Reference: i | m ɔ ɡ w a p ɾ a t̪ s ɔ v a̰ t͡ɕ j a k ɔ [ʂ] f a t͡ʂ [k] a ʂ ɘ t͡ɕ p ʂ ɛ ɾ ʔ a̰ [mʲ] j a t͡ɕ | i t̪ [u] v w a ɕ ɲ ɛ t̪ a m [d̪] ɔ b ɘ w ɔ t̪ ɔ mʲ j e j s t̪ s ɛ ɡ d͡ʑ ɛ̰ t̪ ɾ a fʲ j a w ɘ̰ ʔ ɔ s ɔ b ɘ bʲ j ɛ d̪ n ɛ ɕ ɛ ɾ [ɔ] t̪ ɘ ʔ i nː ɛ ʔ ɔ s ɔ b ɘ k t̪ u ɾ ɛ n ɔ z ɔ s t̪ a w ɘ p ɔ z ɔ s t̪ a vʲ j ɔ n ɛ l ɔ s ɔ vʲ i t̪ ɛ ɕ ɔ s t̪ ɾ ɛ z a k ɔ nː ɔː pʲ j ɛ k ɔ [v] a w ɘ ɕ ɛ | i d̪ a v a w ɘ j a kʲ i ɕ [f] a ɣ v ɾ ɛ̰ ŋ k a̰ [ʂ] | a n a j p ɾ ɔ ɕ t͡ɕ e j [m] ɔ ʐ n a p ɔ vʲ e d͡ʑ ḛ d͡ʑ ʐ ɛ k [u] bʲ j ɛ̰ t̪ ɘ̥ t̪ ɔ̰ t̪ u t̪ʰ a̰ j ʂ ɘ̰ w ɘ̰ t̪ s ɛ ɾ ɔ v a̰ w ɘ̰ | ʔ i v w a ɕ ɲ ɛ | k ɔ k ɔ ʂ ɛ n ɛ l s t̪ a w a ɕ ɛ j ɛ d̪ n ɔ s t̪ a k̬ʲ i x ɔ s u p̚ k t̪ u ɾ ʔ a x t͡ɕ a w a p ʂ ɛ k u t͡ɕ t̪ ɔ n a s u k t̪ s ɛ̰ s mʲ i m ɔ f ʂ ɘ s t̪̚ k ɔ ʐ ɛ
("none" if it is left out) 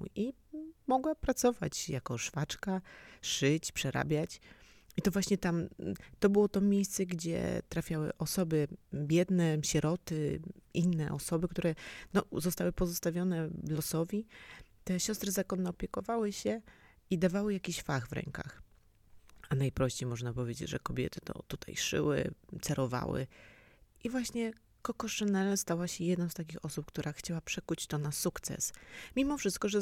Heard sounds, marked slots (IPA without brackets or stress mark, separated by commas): ʂ, k, bʲ, ɔ, t̪, ɔ, v, f, x, m, ɔ